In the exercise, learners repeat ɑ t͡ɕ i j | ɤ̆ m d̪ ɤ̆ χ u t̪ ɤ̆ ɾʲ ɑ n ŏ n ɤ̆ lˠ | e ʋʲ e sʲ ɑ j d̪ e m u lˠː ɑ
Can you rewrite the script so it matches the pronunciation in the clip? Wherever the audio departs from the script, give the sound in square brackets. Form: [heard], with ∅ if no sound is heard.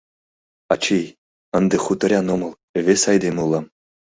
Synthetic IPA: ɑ t͡ɕ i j | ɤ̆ [n] d̪ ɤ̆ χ u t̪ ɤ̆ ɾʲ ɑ n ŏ [m] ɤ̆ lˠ | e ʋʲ e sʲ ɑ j d̪ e m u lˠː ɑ